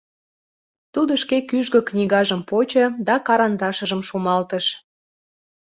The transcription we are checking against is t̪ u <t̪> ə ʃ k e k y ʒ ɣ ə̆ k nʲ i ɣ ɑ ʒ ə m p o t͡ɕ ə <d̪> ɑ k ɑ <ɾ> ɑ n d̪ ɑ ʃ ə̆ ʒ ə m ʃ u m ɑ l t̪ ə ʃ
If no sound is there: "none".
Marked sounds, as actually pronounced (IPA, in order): d̪, d̪, ɾ

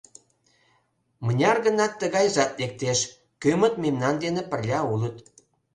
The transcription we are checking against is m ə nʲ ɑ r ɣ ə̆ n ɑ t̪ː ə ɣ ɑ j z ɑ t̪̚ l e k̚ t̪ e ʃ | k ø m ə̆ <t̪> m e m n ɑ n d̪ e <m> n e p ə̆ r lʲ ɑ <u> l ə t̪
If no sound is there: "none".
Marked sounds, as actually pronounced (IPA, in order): t̪, none, u

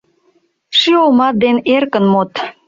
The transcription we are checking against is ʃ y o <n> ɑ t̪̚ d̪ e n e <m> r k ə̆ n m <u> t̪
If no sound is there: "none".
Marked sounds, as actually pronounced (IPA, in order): m, none, o

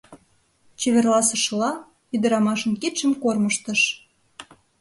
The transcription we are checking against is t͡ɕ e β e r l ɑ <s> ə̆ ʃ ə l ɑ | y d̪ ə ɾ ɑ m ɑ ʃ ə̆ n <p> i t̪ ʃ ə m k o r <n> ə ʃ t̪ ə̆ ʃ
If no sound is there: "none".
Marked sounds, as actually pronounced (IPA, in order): s, k, m

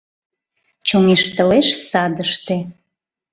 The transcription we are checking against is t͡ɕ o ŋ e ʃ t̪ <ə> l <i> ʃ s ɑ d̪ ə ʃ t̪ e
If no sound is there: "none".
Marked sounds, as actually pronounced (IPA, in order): ə, e

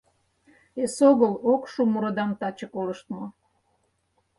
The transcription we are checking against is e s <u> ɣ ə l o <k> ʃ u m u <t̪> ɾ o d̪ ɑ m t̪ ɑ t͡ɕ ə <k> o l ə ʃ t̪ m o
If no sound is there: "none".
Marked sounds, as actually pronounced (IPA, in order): o, k, none, k

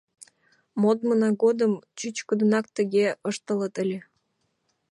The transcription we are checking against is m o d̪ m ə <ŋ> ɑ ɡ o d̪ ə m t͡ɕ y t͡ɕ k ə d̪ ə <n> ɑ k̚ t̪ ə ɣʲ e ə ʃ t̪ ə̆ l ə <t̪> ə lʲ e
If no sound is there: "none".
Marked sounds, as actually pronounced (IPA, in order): n, n, t̪

